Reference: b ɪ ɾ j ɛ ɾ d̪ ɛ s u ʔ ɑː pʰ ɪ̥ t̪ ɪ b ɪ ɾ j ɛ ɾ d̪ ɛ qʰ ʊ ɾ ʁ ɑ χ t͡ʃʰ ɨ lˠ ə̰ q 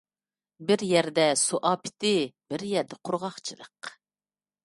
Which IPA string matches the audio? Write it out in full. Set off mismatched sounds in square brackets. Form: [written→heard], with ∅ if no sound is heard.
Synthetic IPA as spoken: b ɪ ɾ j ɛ ɾ d̪ ɛ s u ʔ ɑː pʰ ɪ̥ t̪ ɪ b ɪ ɾ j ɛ ɾ d̪ ɛ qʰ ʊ ɾ ʁ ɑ χ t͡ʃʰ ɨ lˠ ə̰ q